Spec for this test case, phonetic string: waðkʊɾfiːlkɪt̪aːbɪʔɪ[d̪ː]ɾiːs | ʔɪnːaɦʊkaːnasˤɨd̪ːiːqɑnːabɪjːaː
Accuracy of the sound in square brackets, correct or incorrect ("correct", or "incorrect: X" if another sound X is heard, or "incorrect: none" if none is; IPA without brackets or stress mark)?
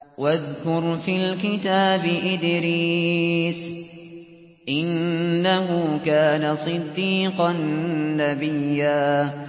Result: incorrect: d̪